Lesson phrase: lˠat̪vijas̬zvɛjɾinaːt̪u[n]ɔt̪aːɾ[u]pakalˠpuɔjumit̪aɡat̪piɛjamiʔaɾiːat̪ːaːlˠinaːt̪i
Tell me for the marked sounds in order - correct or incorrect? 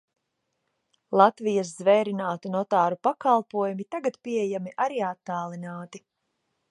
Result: correct, correct

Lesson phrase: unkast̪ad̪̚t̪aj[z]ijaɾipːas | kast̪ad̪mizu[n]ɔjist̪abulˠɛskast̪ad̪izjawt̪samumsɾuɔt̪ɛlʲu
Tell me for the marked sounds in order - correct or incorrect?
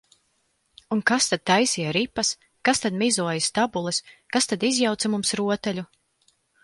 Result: incorrect, incorrect

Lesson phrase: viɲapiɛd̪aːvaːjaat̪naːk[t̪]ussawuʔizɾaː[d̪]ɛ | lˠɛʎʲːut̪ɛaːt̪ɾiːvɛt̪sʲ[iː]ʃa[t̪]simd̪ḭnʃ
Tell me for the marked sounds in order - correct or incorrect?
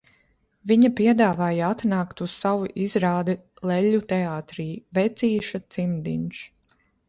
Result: correct, correct, correct, correct

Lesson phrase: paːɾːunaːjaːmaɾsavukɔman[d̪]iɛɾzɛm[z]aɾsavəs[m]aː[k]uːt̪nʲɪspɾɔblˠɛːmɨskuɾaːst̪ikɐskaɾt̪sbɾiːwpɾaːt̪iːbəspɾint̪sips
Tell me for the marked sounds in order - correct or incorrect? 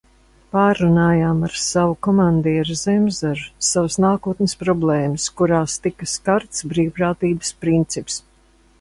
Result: correct, correct, incorrect, correct

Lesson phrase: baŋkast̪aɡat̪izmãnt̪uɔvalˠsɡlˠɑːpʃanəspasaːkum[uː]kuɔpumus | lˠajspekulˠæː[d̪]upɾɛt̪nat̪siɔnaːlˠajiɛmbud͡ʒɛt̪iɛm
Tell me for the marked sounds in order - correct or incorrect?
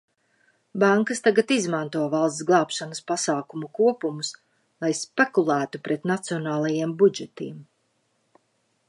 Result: incorrect, incorrect

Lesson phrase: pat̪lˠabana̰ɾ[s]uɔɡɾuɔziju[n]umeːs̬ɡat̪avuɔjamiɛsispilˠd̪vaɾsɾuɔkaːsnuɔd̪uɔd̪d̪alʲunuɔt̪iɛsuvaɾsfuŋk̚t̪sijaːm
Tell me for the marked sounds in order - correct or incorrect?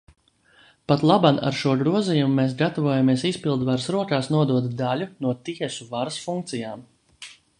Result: incorrect, incorrect

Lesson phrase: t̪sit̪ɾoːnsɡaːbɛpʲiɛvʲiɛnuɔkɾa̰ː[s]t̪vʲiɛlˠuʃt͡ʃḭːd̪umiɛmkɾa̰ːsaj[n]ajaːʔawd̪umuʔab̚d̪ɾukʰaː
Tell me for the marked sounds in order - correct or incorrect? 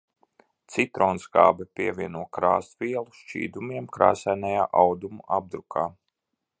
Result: correct, correct

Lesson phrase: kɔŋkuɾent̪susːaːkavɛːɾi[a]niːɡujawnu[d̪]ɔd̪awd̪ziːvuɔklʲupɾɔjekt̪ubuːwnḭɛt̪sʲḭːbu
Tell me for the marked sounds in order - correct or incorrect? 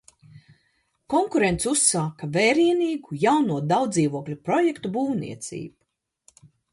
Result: incorrect, incorrect

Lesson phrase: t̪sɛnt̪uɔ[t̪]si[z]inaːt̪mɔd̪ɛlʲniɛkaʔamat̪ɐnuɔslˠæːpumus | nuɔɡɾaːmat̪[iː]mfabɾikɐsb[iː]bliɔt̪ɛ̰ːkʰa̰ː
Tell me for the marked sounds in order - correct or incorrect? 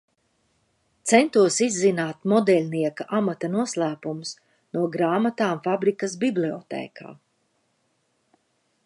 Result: incorrect, incorrect, incorrect, incorrect

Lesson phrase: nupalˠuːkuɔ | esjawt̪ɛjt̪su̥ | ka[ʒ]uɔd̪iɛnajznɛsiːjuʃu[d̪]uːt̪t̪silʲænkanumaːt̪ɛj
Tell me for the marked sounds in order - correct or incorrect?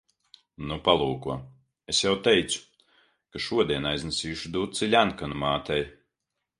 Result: incorrect, correct

